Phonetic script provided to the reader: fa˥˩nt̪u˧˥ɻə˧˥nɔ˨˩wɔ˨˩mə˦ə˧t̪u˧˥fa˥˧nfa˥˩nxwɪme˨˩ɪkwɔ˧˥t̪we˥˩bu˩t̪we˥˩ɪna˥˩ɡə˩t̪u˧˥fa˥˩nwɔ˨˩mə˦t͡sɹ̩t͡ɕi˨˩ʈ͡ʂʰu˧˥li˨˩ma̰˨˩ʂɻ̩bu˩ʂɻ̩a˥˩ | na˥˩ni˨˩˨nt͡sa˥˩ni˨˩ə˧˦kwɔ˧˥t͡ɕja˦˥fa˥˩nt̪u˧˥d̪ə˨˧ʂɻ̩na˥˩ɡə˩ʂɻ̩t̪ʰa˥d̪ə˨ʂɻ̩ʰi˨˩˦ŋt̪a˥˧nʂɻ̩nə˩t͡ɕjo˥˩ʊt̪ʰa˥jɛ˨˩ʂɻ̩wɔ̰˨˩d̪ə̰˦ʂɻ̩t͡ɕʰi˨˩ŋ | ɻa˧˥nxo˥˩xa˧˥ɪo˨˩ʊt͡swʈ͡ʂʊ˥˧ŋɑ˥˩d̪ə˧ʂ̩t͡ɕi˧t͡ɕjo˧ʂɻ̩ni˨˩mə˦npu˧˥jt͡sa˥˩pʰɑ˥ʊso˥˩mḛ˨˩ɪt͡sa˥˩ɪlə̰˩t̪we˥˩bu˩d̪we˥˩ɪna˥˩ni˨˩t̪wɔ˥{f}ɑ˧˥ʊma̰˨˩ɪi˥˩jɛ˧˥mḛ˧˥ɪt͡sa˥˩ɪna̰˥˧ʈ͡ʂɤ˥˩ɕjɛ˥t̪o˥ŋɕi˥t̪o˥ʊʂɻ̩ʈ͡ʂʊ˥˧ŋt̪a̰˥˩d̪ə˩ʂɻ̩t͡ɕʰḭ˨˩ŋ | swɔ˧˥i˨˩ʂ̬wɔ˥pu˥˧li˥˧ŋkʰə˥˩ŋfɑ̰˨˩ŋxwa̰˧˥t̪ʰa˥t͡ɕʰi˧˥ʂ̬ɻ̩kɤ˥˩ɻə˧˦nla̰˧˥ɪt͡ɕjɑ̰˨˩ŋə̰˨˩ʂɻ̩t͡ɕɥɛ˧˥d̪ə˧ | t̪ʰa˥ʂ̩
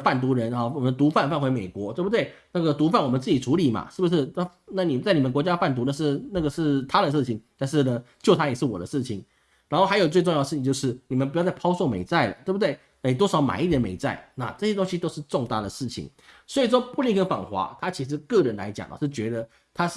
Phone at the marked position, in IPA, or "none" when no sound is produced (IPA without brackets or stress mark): ʂ